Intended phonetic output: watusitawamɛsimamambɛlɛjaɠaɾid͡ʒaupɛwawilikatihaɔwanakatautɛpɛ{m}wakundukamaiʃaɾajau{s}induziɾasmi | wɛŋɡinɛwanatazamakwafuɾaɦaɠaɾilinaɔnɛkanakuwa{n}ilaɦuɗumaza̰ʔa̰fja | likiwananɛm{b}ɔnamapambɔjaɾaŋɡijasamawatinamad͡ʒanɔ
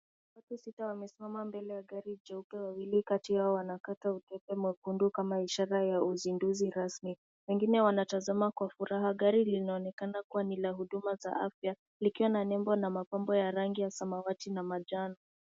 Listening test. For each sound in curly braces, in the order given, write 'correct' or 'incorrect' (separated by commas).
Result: correct, incorrect, correct, correct